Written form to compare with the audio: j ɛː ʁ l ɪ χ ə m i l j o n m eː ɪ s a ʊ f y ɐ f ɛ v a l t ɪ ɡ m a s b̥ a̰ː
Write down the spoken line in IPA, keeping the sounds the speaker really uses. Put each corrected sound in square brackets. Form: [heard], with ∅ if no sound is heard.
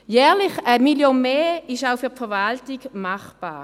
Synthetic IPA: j ɛː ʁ l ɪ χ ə m i l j o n m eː ɪ [ʃ] a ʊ f y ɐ f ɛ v a l t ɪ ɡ m a [χ] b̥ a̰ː